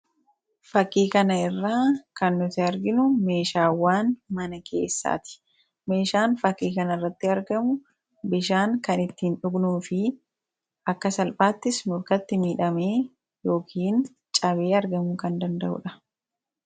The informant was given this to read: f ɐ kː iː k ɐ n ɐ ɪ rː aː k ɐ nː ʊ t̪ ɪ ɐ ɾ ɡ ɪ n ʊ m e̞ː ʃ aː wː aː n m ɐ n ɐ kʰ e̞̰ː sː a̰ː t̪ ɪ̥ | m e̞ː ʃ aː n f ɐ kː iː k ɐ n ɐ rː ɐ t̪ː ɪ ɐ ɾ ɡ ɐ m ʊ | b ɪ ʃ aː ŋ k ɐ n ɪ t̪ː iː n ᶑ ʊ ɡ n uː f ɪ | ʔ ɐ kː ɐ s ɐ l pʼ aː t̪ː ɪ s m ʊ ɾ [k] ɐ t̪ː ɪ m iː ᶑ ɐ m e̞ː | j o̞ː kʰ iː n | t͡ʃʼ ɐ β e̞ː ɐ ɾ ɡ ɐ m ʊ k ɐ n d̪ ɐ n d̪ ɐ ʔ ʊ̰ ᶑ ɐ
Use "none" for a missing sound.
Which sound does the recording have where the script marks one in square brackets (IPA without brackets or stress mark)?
k